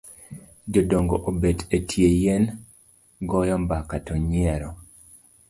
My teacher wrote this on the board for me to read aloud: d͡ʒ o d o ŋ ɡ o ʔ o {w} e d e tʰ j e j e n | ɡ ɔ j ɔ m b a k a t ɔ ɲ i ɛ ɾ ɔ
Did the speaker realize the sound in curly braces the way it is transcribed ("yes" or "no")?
no